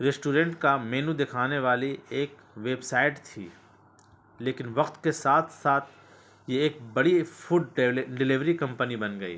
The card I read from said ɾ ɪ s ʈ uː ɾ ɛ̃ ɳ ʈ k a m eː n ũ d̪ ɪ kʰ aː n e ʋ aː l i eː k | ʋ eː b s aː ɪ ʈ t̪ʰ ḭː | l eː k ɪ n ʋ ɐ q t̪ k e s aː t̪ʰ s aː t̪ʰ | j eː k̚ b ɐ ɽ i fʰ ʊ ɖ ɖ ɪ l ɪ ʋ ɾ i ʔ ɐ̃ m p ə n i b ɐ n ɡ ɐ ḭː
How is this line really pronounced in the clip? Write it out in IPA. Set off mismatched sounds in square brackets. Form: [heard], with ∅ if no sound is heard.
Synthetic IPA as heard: ɾ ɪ s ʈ uː ɾ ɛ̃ ɳ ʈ k a m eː n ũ d̪ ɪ kʰ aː n e ʋ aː l i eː k | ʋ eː b s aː ɪ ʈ t̪ʰ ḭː | l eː k ɪ n ʋ ɐ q t̪ k e s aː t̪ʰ s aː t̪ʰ | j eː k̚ b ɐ ɽ i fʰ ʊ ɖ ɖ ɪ l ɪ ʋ ɾ i [k] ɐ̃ m p ə n i b ɐ n ɡ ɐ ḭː